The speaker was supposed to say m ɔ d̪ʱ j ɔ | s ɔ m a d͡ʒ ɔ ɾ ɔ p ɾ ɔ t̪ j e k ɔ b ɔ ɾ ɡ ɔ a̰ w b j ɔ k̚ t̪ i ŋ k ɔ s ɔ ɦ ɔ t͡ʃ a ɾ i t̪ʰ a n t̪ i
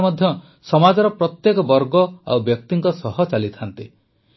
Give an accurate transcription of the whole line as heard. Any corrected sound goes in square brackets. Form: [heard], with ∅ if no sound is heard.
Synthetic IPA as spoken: m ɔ d̪ʱ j ɔ | s ɔ m a d͡ʒ ɔ ɾ ɔ p ɾ ɔ t̪ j e k ɔ b ɔ ɾ ɡ ɔ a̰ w b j ɔ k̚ t̪ i ŋ k ɔ s ɔ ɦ ɔ t͡ʃ a [l] i t̪ʰ a n t̪ i